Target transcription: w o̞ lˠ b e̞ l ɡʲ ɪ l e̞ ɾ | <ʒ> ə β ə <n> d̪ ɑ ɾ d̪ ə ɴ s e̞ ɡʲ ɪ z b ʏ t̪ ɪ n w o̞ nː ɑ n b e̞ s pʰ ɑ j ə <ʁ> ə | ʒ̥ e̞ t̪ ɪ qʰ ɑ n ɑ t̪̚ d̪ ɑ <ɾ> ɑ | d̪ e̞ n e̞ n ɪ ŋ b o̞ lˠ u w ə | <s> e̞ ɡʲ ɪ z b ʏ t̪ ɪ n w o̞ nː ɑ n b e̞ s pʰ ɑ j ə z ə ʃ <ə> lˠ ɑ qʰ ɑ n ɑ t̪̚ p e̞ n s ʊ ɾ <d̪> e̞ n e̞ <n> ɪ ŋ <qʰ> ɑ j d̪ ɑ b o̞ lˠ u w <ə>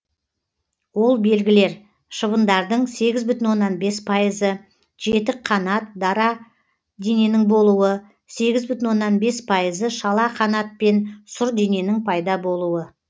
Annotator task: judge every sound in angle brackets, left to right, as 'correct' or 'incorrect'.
incorrect: ʃ, correct, incorrect: z, correct, correct, incorrect: ɑ, correct, correct, incorrect: pʰ, correct

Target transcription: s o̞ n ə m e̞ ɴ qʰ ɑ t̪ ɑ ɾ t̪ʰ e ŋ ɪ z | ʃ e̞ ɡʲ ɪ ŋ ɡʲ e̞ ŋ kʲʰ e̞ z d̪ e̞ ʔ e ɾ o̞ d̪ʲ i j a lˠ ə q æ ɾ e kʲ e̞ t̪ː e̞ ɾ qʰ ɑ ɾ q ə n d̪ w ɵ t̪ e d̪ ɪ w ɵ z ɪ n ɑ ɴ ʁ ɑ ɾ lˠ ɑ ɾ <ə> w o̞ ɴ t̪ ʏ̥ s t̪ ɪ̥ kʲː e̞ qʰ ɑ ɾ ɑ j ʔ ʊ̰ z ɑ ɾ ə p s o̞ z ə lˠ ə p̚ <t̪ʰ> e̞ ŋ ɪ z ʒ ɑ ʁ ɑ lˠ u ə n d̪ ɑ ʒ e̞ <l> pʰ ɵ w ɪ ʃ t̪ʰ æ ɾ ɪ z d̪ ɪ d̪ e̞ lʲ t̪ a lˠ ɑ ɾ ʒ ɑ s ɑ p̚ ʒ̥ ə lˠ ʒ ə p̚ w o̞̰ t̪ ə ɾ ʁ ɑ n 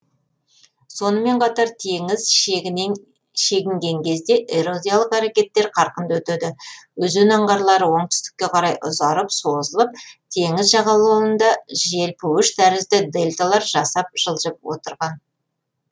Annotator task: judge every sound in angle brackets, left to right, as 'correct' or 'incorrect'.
correct, correct, correct

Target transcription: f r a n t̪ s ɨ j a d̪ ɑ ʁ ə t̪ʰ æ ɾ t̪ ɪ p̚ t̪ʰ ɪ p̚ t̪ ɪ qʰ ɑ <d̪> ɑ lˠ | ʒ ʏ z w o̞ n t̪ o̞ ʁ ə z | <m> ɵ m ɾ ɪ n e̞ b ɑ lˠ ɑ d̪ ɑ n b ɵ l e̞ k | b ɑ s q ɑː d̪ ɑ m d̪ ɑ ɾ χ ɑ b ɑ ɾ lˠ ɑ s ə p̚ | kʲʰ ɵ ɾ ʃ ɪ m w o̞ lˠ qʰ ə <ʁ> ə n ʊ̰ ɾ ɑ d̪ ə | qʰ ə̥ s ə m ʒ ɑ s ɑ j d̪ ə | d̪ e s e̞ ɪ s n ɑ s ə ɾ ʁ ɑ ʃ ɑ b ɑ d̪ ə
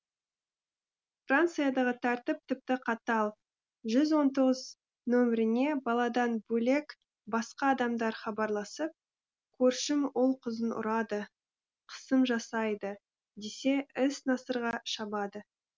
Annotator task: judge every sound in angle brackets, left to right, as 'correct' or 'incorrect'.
incorrect: t̪, incorrect: n, incorrect: z

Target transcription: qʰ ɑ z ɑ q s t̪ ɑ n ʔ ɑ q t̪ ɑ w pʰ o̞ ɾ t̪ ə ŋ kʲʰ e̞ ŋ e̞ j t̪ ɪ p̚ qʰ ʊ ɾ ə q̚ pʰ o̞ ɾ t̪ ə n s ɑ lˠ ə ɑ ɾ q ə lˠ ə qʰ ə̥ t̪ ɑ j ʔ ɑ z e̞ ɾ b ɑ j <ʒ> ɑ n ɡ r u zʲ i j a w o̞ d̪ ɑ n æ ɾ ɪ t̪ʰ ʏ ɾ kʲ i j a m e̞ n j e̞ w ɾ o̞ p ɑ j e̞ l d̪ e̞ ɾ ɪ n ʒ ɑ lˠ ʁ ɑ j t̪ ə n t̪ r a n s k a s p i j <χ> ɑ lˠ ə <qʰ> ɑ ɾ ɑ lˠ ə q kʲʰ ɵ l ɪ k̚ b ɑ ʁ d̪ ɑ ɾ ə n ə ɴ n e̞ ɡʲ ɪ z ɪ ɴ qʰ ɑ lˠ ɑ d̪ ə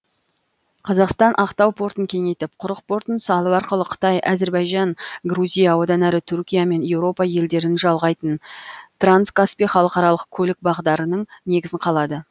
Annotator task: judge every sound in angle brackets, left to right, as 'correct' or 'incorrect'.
correct, correct, incorrect: q

